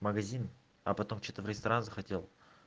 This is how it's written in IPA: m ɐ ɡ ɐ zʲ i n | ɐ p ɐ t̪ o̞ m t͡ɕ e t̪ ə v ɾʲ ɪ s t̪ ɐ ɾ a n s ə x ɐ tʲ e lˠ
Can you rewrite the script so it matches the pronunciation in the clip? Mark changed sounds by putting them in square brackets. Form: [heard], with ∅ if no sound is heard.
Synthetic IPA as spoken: m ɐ ɡ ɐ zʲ i n | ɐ p ɐ t̪ o̞ m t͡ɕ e t̪ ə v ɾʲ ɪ s t̪ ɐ ɾ a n [z] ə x ɐ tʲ e lˠ